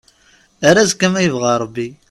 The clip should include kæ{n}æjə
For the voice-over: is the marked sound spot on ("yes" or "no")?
no